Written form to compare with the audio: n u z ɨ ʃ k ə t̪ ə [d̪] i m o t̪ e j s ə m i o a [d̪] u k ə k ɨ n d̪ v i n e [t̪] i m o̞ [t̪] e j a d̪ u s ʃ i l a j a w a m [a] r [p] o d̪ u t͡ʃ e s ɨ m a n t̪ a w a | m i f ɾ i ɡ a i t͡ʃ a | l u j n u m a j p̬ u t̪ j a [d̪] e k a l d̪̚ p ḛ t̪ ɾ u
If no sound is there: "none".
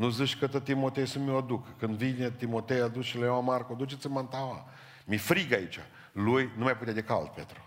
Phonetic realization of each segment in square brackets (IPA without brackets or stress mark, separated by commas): t̪, d̪, t̪, t̪, a, k, d̪